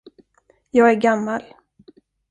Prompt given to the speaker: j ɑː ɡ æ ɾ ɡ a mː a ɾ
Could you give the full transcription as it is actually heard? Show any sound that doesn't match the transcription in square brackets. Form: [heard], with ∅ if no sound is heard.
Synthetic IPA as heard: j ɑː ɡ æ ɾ ɡ a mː a [l]